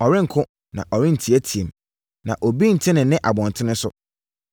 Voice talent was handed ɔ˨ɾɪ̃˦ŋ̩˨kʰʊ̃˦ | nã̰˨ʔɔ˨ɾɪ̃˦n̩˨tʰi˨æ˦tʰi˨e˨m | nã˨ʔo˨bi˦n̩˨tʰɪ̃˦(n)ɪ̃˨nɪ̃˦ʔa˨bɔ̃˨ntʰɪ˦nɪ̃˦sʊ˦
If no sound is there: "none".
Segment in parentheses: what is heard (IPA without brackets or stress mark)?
n